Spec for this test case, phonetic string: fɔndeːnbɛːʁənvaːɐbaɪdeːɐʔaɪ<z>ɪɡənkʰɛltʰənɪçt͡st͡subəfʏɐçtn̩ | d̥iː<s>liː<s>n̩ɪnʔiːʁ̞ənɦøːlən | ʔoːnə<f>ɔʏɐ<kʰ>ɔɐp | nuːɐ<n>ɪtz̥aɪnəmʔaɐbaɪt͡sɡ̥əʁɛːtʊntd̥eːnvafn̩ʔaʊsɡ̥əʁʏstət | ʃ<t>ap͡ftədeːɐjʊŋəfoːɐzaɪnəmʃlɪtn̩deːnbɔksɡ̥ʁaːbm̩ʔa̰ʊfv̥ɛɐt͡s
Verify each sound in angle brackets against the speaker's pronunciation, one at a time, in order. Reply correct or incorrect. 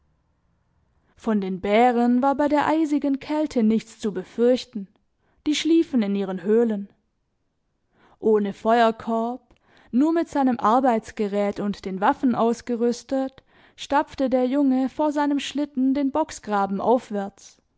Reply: correct, incorrect, incorrect, correct, correct, incorrect, correct

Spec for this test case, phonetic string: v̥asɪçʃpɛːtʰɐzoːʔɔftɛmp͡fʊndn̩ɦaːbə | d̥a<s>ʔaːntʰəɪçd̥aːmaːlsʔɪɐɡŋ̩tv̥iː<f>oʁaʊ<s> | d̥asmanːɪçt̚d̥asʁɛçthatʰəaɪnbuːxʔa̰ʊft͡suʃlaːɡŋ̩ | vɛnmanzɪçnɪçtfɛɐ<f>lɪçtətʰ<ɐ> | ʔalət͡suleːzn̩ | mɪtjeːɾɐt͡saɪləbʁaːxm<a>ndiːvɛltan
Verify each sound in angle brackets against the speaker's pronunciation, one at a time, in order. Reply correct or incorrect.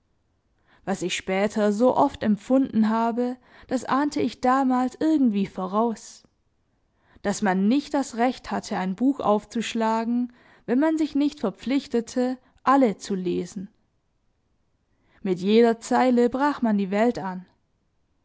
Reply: correct, correct, correct, incorrect, incorrect, correct

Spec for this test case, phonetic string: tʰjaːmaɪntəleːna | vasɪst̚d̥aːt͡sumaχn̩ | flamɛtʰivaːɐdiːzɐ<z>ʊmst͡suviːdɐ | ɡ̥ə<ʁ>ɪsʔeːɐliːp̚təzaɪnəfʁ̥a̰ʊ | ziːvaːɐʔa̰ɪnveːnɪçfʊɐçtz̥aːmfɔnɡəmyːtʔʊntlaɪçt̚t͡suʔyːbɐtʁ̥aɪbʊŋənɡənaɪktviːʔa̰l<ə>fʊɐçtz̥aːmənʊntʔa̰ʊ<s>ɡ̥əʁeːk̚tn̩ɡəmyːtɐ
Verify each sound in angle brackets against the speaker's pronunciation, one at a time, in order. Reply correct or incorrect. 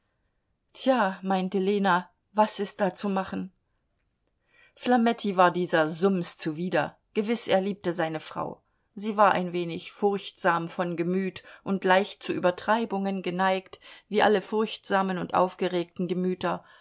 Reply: correct, incorrect, correct, incorrect

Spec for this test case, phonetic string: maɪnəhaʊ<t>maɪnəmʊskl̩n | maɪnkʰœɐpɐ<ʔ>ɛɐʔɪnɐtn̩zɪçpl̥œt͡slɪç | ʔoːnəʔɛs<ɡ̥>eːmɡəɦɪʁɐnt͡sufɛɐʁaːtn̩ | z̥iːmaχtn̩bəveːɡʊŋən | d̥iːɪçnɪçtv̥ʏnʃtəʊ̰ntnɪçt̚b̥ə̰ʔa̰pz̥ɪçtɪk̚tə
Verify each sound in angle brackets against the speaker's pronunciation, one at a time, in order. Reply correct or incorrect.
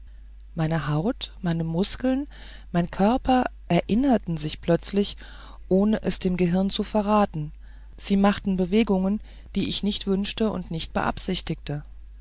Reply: correct, correct, incorrect

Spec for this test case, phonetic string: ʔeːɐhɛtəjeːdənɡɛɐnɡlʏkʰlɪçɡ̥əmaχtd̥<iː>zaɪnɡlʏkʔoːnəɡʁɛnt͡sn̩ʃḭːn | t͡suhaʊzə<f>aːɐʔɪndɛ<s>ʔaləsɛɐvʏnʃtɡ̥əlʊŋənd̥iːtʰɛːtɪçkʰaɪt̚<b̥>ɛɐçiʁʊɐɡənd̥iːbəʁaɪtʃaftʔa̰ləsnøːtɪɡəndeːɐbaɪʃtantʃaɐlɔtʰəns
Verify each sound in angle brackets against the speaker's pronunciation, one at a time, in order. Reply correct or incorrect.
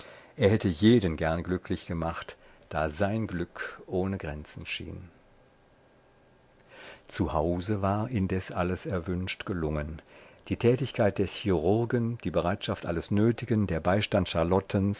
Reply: incorrect, incorrect, correct, incorrect

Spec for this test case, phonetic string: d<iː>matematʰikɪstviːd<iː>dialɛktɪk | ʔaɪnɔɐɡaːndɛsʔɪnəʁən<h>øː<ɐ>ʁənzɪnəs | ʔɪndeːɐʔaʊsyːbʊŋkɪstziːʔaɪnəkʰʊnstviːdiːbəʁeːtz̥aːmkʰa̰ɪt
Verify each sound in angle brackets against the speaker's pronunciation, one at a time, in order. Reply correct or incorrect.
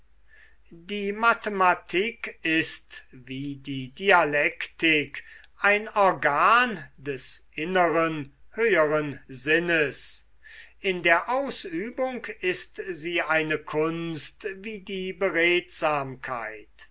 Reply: correct, correct, correct, incorrect

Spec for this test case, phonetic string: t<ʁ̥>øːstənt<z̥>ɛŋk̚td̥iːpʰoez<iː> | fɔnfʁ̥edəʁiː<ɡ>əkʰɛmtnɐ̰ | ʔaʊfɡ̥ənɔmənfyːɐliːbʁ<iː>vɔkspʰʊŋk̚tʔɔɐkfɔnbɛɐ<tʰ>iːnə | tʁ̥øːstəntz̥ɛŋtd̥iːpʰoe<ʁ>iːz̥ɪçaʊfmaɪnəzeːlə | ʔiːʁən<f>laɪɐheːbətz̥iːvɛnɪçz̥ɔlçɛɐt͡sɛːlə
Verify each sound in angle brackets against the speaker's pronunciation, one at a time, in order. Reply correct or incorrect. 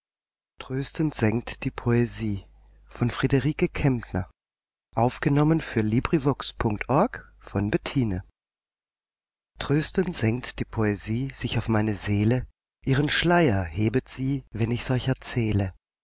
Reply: correct, correct, correct, incorrect, incorrect, correct, incorrect, incorrect

